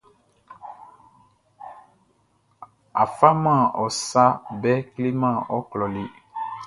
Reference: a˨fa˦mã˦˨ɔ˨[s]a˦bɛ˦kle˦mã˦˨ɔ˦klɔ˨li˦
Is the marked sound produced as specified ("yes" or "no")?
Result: yes